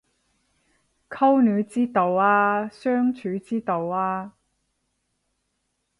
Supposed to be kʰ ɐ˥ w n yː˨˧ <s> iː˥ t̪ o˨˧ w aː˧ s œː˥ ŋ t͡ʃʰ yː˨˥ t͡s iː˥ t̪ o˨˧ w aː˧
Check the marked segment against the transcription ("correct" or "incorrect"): incorrect